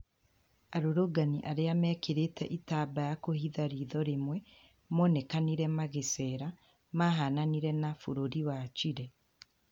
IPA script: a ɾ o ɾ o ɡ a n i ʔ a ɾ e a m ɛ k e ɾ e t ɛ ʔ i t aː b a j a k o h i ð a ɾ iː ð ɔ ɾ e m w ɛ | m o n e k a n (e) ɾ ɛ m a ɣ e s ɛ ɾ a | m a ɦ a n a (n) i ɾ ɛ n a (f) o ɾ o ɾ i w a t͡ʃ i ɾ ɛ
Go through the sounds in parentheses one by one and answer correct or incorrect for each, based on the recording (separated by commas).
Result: incorrect, correct, correct